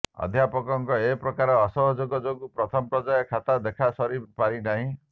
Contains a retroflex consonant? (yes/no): no